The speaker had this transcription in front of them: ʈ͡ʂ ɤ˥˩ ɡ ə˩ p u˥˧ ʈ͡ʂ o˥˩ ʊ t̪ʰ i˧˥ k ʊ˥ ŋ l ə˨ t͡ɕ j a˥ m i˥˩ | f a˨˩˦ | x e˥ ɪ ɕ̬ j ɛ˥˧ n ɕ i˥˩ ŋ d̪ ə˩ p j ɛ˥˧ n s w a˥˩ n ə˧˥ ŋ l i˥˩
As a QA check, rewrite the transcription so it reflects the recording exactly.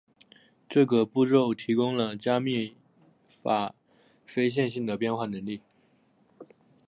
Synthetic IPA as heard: ʈ͡ʂ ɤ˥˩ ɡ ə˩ p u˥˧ ʈ͡ʂ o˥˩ ʊ t̪ʰ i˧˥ k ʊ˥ ŋ l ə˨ t͡ɕ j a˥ m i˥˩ | f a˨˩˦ | f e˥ ɪ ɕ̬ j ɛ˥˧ n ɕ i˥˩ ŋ d̪ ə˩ p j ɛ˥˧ n x w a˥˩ n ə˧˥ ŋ l i˥˩

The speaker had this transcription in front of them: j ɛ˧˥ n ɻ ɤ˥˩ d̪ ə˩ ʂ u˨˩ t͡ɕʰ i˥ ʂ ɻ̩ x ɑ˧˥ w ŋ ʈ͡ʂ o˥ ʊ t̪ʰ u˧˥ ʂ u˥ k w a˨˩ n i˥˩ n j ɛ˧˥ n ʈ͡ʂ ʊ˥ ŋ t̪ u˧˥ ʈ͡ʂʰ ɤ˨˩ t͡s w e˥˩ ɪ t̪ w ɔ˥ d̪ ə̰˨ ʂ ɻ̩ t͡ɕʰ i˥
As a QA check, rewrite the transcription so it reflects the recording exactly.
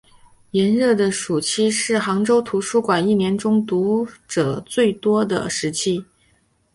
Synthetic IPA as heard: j ɛ˧˥ n ɻ ɤ˥˩ d̪ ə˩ ʂ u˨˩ t͡ɕʰ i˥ ʂ ɻ̩ x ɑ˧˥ ŋ ʈ͡ʂ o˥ ʊ t̪ʰ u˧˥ ʂ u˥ k w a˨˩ n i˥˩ n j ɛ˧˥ n ʈ͡ʂ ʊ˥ ŋ t̪ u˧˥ ʈ͡ʂ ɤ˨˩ t͡s w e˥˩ ɪ t̪ w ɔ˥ d̪ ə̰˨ ʂ ɻ̩ t͡ɕʰ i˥

